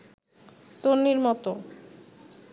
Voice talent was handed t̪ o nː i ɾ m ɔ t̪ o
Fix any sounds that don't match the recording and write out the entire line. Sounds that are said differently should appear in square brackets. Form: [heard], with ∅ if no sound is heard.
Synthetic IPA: t̪ o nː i ɾ m ɔ t̪ o